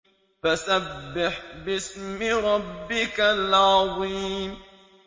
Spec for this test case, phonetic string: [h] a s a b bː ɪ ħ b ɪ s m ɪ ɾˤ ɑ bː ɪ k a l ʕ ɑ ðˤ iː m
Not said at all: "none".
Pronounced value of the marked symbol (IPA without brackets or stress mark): f